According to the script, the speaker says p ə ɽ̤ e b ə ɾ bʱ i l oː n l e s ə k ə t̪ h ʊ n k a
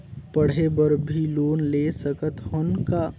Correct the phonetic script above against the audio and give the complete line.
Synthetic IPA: p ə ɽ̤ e b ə ɾ bʱ i l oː n l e s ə k ə t̪ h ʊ n k a